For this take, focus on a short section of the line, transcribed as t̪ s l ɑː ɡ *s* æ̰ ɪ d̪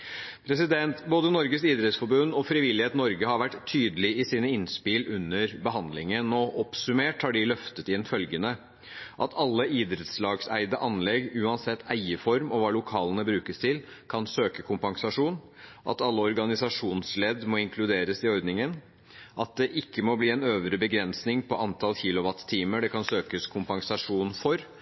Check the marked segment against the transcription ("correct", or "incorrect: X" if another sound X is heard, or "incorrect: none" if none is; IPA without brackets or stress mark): correct